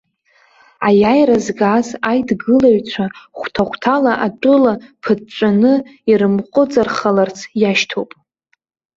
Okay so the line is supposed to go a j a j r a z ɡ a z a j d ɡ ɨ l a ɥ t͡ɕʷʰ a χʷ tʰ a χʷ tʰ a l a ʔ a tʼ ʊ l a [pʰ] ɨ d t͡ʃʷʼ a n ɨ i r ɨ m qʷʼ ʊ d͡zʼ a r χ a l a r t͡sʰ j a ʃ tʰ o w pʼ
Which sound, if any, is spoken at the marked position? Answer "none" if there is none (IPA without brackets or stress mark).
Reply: pʰ